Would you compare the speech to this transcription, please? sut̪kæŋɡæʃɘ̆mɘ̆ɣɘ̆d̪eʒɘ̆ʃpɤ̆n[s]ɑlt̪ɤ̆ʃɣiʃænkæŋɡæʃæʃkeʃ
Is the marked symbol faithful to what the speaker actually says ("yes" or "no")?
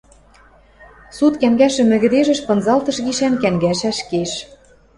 no